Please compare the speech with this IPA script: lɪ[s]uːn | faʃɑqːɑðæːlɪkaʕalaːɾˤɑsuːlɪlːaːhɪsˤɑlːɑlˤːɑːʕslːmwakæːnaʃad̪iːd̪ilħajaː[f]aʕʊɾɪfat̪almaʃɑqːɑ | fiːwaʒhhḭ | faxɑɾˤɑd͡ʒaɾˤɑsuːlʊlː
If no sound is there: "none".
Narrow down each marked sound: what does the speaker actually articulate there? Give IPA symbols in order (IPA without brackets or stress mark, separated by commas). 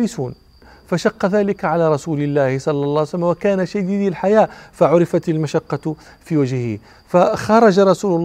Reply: s, f